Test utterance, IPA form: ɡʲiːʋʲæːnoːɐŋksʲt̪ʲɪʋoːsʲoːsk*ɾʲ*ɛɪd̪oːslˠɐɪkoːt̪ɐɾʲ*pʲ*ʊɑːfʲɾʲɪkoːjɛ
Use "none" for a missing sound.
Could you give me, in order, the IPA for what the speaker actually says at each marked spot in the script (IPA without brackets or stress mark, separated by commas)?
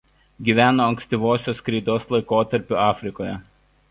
ɾʲ, pʲ